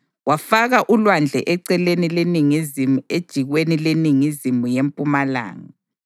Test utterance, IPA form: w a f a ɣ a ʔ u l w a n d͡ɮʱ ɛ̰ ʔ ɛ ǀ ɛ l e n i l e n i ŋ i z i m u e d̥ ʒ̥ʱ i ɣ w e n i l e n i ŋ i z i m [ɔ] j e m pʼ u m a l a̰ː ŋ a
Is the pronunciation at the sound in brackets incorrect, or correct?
incorrect